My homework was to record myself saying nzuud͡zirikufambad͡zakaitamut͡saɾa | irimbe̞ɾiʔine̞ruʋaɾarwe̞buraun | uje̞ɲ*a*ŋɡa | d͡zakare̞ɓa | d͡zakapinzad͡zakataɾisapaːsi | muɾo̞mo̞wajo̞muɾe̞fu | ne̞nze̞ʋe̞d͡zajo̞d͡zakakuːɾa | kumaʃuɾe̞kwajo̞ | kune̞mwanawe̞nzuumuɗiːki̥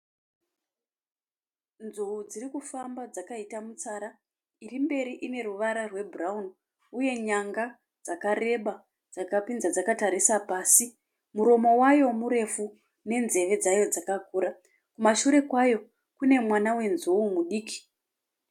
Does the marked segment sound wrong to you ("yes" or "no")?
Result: no